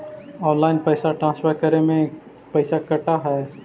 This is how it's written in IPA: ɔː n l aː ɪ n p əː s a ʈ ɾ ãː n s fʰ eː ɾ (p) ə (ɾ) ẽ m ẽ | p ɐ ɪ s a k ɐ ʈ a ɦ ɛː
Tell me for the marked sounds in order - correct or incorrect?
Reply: incorrect, correct

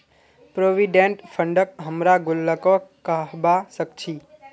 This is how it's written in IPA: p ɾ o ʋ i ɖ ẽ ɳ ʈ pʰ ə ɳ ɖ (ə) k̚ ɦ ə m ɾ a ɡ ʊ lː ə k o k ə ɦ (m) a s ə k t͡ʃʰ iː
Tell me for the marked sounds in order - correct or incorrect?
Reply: correct, incorrect

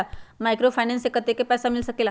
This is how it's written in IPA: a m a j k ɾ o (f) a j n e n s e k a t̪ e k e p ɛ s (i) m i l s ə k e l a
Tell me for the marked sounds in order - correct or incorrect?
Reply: correct, incorrect

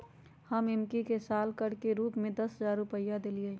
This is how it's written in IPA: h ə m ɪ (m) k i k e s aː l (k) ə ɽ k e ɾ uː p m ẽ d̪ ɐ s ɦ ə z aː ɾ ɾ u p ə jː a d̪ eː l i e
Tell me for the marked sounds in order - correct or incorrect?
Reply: correct, correct

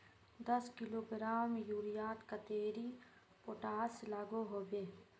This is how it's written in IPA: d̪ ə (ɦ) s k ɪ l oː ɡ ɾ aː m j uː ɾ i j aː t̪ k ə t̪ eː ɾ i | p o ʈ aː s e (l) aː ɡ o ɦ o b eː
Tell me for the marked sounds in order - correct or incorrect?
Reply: incorrect, correct

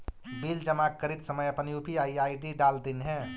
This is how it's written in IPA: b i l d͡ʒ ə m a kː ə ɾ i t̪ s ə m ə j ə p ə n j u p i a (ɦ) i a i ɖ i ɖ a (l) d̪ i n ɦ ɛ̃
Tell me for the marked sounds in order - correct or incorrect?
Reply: incorrect, correct

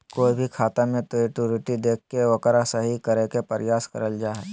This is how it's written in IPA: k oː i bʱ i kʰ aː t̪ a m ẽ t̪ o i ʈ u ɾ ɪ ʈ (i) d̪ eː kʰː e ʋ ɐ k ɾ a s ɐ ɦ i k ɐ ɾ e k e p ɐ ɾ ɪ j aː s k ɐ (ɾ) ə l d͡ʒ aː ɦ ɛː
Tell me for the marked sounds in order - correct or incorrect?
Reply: correct, correct

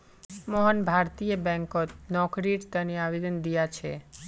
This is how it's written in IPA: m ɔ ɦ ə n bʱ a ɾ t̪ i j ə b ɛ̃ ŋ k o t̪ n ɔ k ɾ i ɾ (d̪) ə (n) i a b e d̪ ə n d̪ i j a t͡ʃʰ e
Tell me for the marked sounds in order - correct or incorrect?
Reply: incorrect, correct

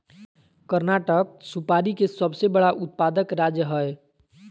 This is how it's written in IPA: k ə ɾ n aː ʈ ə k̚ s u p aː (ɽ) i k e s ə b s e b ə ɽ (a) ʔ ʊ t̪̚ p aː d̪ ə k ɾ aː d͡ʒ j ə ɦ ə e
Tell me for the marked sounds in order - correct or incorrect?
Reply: incorrect, correct

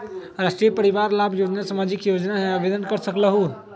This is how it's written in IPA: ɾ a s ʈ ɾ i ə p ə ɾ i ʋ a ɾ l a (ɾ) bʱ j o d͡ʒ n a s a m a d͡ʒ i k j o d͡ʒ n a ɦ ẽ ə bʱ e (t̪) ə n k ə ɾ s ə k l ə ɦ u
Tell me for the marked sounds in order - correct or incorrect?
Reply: incorrect, incorrect

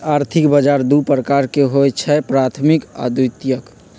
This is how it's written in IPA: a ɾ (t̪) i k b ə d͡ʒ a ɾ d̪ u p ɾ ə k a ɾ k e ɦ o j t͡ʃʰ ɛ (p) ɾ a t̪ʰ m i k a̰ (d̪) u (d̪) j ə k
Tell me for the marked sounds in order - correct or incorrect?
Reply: incorrect, correct, correct, incorrect

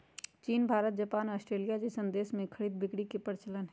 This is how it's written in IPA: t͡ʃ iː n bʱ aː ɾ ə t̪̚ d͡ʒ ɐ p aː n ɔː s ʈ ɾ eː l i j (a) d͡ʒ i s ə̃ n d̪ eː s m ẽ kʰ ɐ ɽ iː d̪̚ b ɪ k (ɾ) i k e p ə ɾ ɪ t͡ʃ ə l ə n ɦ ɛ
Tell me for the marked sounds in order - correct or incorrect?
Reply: correct, incorrect

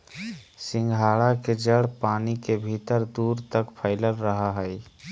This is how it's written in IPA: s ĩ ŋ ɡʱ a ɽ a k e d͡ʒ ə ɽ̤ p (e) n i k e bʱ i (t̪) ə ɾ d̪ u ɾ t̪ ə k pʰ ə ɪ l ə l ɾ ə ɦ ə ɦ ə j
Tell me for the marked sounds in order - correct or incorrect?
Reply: incorrect, correct

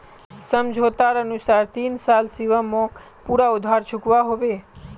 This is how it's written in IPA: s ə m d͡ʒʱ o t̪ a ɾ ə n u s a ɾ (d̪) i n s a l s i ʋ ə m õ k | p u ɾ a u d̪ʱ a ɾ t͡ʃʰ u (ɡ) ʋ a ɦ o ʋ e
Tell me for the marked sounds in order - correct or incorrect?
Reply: incorrect, incorrect

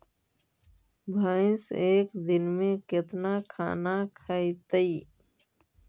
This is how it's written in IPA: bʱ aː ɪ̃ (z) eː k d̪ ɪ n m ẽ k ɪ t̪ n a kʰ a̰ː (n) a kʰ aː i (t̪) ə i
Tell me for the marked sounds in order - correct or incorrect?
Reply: incorrect, correct, correct

